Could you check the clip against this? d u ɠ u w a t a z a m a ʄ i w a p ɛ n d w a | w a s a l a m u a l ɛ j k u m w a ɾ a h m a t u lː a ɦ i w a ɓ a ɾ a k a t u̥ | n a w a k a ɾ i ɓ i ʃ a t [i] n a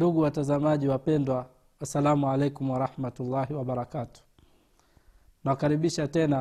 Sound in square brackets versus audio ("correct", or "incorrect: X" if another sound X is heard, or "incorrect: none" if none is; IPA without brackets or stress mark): incorrect: ɛ